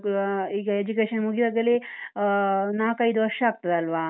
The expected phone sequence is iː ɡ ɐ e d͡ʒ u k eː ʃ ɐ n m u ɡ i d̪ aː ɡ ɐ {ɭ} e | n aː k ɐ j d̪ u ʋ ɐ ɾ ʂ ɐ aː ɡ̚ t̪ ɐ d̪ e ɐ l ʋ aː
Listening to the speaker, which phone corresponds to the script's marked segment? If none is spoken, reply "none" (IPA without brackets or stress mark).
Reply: l